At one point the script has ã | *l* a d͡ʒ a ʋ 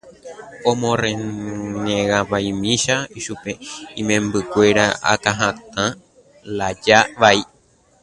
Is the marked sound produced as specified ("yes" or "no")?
yes